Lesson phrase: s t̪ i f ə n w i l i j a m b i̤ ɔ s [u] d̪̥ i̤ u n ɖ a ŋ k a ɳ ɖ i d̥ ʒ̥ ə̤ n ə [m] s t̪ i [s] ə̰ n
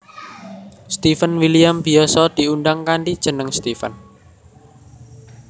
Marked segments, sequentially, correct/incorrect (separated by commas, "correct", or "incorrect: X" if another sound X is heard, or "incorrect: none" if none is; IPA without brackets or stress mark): incorrect: ɔ, incorrect: ŋ, incorrect: f